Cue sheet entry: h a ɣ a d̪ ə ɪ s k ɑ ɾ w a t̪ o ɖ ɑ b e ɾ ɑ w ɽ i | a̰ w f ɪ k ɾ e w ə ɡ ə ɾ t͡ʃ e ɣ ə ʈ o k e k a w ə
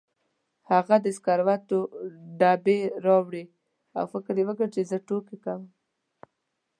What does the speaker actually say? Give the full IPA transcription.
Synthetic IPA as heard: h a ɣ a d̪ ə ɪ s k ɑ ɾ w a t̪ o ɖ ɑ b e ɾ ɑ w ɽ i | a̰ w f ɪ k ɾ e w ə ɡ ə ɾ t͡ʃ e z ə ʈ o k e k a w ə